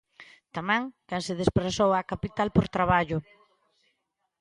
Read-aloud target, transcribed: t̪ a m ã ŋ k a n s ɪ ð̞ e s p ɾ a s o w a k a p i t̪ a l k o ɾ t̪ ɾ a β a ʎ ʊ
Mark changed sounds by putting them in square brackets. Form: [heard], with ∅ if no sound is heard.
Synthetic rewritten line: t̪ a m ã ŋ k a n s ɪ ð̞ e s p ɾ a s o w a k a p i t̪ a l [p] o ɾ t̪ ɾ a β a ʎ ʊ